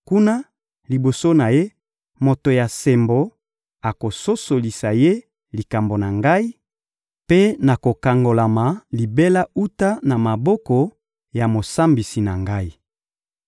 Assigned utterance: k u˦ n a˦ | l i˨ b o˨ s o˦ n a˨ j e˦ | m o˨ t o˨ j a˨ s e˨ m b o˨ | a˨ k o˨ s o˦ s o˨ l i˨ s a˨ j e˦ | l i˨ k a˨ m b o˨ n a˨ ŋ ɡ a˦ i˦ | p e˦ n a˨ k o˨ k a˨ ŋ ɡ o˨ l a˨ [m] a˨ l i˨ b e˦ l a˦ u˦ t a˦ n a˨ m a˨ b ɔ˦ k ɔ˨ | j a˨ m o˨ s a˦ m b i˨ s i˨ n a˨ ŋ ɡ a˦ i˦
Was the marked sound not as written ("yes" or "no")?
no